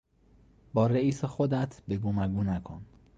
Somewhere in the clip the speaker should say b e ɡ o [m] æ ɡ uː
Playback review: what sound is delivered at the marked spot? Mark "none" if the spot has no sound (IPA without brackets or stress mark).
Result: m